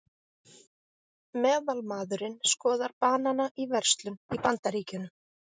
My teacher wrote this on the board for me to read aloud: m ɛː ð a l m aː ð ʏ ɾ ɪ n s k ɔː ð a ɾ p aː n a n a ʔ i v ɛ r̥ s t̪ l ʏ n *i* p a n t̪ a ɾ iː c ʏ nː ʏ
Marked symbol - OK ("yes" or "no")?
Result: yes